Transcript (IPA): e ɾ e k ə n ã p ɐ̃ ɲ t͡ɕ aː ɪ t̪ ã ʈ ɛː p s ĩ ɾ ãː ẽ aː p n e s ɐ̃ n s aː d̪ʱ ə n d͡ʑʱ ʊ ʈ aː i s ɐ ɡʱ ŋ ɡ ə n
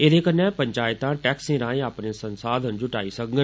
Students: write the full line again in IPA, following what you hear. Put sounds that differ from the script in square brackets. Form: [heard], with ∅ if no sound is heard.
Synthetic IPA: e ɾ e k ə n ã p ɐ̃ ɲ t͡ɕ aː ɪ t̪ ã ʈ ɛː [k] s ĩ ɾ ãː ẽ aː p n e s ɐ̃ n s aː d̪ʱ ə n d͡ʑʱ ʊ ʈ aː i s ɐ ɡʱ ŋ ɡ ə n